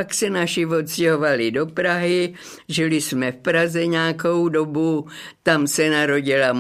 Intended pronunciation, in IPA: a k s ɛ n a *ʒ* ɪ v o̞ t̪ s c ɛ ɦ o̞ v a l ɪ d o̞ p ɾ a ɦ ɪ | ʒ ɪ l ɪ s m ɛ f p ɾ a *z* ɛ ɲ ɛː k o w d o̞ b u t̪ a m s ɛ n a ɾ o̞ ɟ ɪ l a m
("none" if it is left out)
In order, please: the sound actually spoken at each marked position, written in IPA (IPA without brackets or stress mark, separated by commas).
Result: ʃ, z